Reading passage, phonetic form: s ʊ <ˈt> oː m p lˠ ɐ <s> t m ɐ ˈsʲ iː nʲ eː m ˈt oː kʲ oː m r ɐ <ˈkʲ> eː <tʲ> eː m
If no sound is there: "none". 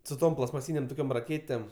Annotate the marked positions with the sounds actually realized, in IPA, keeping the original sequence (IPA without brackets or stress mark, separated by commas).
t, s, kʲ, tʲ